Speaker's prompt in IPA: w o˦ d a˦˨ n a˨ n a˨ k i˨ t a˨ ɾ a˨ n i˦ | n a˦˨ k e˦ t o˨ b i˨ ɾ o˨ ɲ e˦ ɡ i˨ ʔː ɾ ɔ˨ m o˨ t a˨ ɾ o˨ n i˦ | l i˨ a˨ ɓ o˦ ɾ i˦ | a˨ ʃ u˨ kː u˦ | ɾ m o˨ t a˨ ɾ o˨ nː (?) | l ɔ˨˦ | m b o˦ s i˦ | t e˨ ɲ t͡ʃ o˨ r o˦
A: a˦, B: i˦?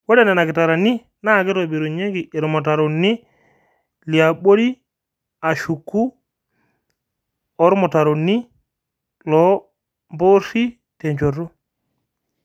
B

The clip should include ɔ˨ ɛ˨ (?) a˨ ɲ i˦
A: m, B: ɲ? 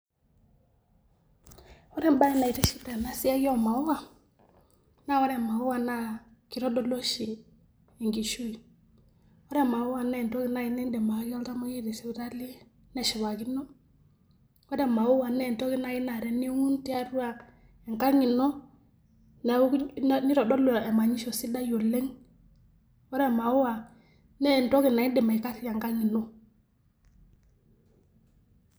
A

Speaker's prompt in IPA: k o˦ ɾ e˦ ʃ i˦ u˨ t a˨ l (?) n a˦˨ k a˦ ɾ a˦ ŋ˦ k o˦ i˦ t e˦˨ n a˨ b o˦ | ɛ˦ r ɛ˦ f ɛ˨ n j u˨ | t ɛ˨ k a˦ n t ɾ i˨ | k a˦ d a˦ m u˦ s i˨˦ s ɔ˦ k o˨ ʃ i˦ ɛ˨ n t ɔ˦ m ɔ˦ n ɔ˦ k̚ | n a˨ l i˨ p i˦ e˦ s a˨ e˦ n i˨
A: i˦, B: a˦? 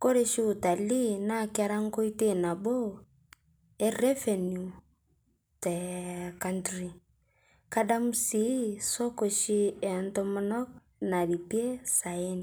A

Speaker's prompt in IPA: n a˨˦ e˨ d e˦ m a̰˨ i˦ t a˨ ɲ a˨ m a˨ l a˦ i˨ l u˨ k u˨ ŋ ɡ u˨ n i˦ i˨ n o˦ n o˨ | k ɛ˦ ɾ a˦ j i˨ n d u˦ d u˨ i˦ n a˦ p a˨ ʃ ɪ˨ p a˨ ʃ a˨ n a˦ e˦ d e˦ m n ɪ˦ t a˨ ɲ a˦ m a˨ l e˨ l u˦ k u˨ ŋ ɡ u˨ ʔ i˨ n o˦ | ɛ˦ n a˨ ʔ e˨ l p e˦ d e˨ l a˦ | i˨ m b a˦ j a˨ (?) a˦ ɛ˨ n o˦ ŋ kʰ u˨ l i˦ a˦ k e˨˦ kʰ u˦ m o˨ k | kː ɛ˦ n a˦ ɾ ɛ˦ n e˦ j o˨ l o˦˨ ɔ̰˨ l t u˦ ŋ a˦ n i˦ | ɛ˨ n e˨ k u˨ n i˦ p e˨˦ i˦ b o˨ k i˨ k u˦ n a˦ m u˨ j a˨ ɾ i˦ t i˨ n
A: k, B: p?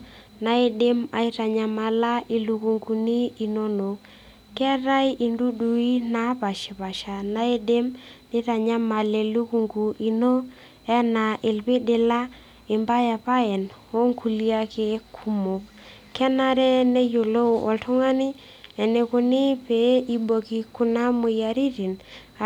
B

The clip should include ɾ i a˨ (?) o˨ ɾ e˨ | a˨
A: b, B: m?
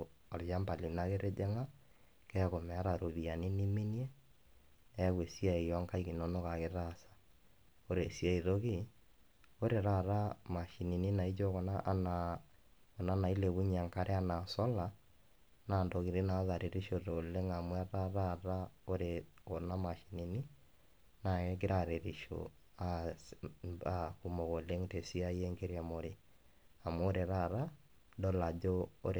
B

